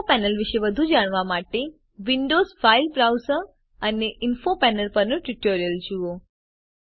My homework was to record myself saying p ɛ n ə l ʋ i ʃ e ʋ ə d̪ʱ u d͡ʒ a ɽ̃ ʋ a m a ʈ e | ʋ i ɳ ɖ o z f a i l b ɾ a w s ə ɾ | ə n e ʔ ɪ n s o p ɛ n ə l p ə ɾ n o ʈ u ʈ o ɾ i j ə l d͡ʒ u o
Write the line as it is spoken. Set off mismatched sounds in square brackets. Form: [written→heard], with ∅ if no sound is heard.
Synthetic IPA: p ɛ n ə l ʋ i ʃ e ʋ ə d̪ʱ u d͡ʒ a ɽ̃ ʋ a m a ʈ e | ʋ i ɳ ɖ o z f a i l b ɾ a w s ə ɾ | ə n e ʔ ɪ n [s→f] o p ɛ n ə l p ə ɾ n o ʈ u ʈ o ɾ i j ə l d͡ʒ u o

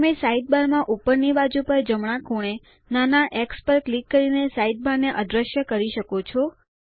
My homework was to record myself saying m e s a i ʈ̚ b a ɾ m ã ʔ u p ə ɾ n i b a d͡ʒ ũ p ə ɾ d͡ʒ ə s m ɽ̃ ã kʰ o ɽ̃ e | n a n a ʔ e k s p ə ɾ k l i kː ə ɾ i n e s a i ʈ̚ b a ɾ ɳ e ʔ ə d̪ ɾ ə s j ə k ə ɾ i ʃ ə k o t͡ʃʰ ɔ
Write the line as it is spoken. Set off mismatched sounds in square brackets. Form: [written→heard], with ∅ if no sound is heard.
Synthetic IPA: m e s a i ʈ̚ b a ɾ m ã ʔ u p ə ɾ n i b a d͡ʒ [ũ→u] p ə ɾ d͡ʒ ə [s→∅] m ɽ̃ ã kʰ o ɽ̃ e | n a n a ʔ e k s p ə ɾ k l i kː ə ɾ i n e s a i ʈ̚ b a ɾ [ɳ→n] e ʔ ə d̪ ɾ ə [s→ʃ] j ə k ə ɾ i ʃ ə k o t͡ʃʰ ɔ

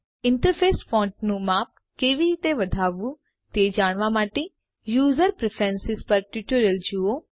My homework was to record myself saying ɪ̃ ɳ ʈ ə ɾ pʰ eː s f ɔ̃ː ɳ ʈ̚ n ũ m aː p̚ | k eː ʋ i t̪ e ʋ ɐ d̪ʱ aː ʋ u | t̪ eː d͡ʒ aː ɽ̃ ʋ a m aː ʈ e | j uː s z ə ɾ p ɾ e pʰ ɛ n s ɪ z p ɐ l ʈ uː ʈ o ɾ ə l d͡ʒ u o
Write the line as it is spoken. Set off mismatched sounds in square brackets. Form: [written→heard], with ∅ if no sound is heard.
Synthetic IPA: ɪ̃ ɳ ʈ ə ɾ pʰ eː s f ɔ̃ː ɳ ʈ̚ n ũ m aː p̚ | k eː ʋ i t̪ e ʋ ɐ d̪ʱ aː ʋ u | t̪ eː d͡ʒ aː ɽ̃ ʋ a m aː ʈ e | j uː [s→∅] z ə ɾ p ɾ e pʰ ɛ n s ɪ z p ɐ [l→ɾ] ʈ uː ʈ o ɾ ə l d͡ʒ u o

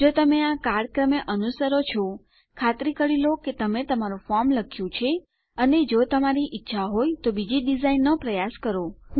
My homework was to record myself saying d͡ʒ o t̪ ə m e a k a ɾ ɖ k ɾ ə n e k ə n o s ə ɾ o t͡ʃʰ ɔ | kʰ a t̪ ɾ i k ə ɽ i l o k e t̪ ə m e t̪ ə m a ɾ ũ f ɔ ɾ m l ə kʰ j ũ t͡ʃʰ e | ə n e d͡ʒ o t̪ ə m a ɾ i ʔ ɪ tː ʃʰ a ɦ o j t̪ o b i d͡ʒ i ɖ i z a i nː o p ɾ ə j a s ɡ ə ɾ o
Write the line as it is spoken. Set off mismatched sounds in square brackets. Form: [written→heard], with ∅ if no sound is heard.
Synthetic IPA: d͡ʒ o t̪ ə m e a k a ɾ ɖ k ɾ ə [n→m] e [k→ʔ] ə n [o→u] s ə ɾ o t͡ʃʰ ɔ | kʰ a t̪ ɾ i k ə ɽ i l o k e t̪ ə m e t̪ ə m a ɾ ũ f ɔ ɾ m l ə kʰ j ũ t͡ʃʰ e | ə n e d͡ʒ o t̪ ə m a ɾ i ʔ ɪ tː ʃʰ a ɦ o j t̪ o b i d͡ʒ i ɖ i z a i nː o p ɾ ə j a s [ɡ→k] ə ɾ o

